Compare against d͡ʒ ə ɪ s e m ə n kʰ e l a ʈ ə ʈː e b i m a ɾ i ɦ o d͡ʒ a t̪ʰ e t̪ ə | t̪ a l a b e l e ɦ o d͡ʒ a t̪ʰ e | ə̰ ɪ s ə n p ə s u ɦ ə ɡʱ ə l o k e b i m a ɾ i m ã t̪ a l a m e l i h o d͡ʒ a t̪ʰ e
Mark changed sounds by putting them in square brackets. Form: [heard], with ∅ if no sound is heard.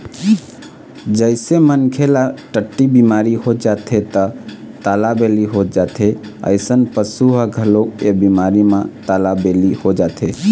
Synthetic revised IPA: d͡ʒ ə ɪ s e m ə n kʰ e l a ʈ ə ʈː [i] b i m a ɾ i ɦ o d͡ʒ a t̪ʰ e t̪ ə | t̪ a l a b e l [i] ɦ o d͡ʒ a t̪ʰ e | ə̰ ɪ s ə n p ə s u ɦ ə ɡʱ ə l o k e b i m a ɾ i m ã t̪ a l a [b] e l i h o d͡ʒ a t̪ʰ e